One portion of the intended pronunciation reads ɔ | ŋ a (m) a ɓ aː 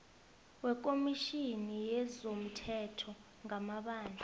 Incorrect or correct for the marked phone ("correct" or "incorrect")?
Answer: correct